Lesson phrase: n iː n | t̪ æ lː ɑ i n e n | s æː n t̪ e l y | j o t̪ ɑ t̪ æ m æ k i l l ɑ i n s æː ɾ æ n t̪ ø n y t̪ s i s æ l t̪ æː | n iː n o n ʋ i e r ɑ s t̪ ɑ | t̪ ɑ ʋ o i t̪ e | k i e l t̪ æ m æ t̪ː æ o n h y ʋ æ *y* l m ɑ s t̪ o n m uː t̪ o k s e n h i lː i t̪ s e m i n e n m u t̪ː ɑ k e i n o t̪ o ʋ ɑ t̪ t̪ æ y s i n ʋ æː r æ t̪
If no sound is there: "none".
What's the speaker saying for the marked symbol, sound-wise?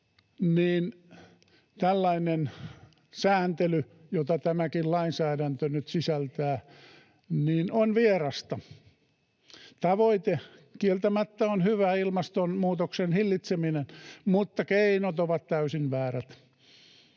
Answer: i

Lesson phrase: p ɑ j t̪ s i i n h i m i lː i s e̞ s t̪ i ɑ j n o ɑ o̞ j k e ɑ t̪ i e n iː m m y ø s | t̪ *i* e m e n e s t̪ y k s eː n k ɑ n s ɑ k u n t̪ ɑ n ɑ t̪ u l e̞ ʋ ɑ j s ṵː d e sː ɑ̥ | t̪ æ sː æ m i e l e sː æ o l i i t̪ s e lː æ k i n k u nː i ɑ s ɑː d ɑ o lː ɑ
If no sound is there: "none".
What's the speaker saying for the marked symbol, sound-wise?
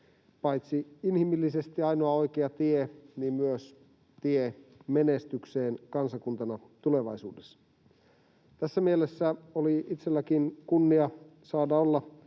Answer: i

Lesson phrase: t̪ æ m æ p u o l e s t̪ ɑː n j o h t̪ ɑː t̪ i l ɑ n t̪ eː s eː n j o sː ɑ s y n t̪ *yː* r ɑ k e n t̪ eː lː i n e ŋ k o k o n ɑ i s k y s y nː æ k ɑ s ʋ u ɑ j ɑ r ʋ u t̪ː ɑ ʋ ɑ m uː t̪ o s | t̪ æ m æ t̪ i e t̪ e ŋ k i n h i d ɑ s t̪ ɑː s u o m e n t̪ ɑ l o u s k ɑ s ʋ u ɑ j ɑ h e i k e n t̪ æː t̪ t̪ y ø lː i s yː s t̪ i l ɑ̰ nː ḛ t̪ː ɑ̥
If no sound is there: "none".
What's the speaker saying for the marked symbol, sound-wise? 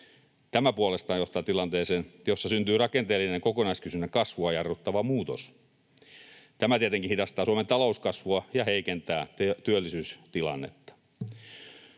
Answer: yː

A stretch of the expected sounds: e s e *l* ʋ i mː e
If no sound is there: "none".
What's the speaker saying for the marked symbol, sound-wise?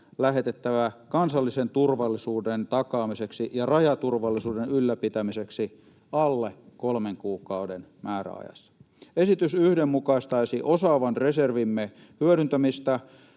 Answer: r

